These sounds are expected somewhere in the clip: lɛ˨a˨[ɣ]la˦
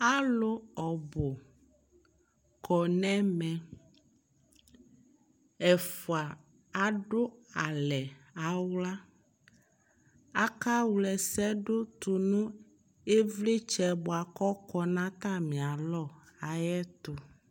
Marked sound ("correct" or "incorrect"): incorrect